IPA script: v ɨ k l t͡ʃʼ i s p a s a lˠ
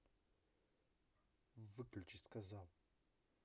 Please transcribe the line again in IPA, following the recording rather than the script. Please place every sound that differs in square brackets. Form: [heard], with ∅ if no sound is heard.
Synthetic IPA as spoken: v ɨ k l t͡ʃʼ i s [k] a [z] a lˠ